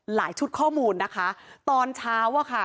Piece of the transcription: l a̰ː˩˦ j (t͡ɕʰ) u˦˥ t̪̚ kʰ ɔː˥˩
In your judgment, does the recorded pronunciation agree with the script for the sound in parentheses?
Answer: yes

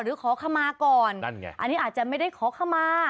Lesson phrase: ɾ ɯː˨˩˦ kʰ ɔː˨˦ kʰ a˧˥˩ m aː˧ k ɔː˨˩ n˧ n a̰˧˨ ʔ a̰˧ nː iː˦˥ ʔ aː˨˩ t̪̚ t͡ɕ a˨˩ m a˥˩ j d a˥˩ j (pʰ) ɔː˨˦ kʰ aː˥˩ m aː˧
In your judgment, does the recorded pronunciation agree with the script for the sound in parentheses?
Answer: no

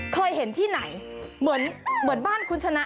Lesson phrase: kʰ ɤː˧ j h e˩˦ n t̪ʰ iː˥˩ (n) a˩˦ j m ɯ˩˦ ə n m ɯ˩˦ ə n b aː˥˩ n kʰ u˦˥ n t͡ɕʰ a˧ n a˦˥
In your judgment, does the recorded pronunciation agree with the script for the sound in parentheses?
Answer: yes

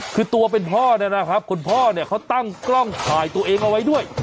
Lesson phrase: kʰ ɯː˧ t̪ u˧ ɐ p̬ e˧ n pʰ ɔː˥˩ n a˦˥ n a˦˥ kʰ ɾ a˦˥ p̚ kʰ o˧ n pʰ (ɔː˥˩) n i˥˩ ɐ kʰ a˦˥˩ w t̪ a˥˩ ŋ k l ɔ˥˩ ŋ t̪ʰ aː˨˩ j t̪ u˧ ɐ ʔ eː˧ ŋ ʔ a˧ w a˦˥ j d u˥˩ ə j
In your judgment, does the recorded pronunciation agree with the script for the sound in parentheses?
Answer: yes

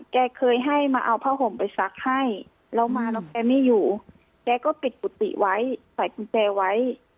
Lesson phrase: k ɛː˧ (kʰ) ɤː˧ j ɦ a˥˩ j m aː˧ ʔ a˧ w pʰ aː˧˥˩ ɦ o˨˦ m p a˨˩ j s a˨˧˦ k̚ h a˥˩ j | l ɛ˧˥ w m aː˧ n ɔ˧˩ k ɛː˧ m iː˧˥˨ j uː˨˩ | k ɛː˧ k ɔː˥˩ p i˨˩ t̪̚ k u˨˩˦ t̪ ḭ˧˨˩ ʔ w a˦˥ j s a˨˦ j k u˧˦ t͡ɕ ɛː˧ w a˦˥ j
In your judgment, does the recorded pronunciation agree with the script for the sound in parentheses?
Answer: yes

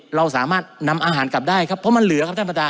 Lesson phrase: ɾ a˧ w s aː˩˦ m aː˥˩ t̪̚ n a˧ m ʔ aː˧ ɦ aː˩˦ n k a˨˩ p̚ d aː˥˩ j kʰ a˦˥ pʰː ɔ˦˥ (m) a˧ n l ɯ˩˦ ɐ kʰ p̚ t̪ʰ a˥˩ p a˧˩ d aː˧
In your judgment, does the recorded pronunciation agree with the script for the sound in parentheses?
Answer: yes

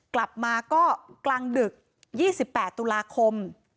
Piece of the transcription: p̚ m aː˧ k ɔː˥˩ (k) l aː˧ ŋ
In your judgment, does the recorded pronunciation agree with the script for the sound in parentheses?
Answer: yes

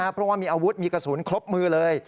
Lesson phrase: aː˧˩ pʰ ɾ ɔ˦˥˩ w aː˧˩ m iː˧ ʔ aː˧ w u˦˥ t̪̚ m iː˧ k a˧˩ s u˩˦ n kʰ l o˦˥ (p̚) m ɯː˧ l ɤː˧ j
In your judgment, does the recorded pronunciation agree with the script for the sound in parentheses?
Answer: yes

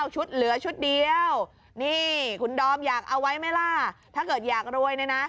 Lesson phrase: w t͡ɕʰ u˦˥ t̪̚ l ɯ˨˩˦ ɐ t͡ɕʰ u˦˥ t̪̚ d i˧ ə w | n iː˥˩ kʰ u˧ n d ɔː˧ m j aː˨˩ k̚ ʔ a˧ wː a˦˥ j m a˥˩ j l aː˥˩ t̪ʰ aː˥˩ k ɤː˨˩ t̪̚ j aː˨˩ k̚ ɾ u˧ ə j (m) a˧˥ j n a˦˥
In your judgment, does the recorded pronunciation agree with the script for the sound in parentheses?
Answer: no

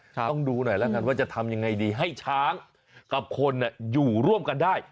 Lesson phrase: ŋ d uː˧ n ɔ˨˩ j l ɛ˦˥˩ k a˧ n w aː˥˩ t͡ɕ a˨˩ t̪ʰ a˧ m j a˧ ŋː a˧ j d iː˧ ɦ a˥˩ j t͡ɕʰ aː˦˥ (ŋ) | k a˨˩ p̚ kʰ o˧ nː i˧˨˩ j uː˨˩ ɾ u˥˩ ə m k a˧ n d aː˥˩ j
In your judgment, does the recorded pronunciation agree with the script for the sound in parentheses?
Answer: yes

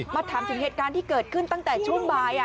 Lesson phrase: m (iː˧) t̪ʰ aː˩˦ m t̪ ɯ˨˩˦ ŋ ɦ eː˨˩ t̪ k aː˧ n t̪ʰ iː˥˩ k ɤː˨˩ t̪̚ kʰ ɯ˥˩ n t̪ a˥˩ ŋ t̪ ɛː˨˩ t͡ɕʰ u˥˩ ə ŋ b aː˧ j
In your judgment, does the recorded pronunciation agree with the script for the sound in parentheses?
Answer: no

